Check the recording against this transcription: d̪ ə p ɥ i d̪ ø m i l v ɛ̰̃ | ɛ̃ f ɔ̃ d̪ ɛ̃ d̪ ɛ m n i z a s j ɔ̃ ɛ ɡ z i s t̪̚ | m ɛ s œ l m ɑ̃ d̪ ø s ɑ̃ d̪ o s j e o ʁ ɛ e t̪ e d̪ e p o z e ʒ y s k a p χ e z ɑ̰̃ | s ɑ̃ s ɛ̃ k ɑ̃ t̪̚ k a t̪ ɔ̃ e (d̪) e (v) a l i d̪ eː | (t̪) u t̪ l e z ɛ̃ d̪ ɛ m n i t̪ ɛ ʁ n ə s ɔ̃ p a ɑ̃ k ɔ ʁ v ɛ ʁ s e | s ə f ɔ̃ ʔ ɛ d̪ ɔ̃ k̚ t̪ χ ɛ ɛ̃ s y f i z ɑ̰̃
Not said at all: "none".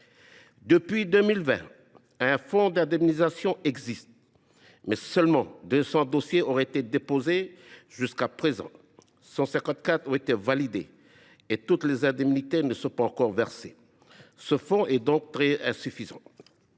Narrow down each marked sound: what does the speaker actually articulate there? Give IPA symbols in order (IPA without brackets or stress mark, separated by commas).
t̪, v, t̪